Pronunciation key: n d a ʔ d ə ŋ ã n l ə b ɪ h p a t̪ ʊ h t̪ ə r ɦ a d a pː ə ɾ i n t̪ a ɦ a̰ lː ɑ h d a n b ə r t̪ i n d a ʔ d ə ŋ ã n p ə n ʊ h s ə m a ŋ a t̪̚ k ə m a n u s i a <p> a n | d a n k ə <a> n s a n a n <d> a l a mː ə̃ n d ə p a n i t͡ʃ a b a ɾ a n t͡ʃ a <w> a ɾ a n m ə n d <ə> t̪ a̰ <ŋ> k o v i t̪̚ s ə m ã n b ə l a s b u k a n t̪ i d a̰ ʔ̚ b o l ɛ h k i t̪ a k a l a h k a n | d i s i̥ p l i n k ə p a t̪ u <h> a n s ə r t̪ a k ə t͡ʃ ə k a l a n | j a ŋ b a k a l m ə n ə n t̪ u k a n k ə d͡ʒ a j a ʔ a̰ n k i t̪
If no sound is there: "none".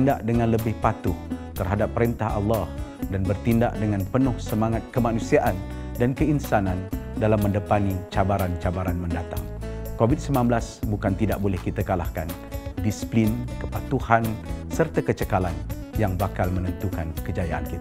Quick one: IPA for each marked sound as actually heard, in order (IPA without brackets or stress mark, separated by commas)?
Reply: ʔ, i, d, b, a, ŋ, h